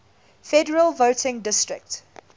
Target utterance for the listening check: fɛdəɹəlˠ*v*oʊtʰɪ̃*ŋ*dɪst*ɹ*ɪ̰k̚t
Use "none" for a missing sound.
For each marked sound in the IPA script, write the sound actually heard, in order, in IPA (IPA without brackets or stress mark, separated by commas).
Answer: v, ŋ, ɹ